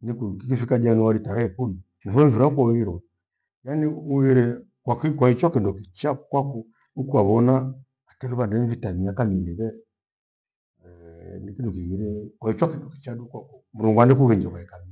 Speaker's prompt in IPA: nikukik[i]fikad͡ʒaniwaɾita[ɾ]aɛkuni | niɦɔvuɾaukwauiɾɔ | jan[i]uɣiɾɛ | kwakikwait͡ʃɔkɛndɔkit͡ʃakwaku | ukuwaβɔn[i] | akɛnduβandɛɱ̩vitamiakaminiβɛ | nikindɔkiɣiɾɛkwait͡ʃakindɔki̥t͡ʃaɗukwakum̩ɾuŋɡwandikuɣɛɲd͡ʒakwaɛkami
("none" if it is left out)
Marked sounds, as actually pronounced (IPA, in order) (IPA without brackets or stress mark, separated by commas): i, ɾ, i, a